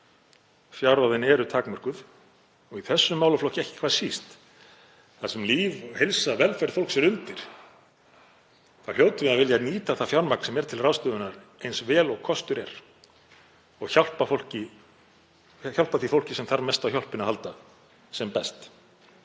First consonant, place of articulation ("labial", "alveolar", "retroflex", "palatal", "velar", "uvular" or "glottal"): labial